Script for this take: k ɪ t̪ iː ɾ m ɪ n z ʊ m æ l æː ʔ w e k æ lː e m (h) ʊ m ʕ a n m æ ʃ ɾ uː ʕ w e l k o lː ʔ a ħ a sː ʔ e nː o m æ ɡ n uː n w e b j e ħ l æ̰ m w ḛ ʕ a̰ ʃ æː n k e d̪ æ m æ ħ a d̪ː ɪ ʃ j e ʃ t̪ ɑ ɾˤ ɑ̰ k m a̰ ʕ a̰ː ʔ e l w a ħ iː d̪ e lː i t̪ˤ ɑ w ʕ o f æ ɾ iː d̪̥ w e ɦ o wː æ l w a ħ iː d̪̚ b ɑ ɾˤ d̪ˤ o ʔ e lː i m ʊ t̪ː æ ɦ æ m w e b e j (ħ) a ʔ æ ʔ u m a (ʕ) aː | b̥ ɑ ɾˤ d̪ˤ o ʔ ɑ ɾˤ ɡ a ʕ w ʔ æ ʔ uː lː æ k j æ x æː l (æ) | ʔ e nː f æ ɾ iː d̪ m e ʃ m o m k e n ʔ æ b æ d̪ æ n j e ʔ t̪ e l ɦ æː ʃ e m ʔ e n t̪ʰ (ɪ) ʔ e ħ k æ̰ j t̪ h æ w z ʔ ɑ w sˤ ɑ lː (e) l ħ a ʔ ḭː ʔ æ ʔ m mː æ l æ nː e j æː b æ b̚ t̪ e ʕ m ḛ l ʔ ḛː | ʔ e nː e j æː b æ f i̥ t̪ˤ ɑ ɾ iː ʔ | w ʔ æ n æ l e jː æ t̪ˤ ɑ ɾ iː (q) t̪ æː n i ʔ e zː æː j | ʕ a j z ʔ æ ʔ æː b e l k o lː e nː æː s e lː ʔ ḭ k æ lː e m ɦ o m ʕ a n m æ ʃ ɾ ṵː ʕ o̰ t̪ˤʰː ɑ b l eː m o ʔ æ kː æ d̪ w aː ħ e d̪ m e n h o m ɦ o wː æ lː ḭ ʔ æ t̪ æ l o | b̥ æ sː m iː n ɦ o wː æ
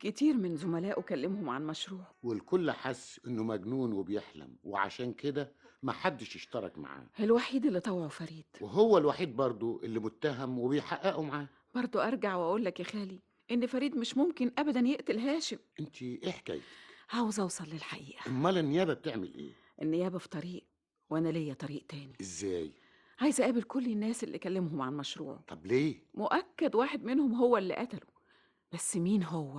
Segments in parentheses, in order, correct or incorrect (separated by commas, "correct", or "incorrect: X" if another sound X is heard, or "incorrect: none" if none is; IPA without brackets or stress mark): correct, correct, correct, incorrect: i, incorrect: i, correct, incorrect: ʔ